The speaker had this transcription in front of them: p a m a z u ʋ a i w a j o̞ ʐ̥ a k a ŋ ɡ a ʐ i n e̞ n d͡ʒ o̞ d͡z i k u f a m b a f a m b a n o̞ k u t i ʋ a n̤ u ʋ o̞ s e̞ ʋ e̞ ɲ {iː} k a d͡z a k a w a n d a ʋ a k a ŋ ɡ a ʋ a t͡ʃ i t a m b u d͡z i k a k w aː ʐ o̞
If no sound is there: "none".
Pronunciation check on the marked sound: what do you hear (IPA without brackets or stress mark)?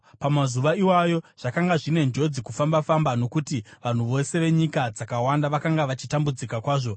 i